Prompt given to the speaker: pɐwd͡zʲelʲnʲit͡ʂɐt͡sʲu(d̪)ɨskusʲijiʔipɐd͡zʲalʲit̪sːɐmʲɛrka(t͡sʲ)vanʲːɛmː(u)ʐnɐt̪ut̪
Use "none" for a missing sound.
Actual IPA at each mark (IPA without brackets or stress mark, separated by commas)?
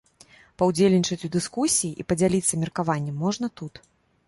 d̪, none, ɔ